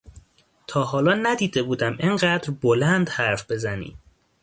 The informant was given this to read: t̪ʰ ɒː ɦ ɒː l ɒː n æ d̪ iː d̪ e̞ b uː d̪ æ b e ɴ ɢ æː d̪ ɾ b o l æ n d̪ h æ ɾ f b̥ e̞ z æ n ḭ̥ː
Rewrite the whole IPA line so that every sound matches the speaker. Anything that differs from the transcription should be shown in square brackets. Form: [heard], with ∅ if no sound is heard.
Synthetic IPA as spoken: t̪ʰ ɒː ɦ ɒː l ɒː n æ d̪ iː d̪ e̞ b uː d̪ æ [m] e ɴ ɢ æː d̪ ɾ b o l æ n d̪ h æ ɾ f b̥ e̞ z æ n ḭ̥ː